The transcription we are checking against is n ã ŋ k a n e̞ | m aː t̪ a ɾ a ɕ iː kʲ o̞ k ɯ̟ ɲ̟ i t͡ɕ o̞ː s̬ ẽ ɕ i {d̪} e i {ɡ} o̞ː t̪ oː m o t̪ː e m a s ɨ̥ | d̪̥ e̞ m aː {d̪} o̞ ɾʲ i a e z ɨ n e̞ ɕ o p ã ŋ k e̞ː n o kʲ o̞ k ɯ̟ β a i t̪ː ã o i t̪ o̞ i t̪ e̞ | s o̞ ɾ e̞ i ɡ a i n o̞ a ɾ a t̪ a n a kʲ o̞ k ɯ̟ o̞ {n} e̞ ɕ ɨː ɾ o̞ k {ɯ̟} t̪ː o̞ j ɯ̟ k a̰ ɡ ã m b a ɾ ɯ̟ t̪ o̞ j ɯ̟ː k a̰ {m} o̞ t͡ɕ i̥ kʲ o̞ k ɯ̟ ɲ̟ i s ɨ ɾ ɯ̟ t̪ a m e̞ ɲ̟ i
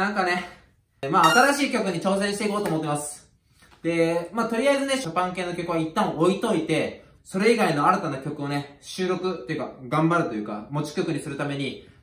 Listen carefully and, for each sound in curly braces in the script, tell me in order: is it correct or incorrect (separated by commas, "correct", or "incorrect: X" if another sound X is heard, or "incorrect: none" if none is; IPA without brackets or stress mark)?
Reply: incorrect: t̪, incorrect: k, incorrect: t̪, correct, correct, correct